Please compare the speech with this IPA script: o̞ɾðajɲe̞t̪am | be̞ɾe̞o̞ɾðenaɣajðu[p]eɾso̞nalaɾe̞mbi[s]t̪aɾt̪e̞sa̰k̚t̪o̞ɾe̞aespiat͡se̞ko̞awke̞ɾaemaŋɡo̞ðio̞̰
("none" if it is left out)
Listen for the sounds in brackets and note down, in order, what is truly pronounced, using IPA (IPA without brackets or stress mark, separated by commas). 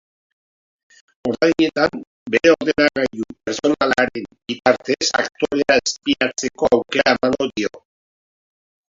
p, none